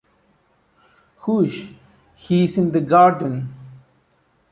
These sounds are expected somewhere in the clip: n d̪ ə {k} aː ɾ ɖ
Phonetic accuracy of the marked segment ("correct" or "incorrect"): incorrect